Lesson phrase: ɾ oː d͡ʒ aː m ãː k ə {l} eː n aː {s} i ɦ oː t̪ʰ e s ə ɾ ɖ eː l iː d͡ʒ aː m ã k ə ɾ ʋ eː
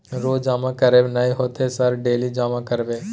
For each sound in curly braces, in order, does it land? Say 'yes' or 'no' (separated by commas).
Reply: no, no